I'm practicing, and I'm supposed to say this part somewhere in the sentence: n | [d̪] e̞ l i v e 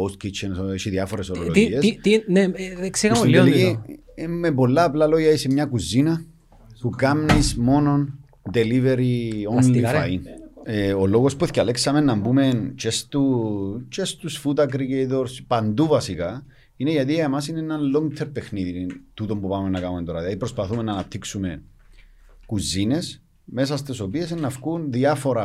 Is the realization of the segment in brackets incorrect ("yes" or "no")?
no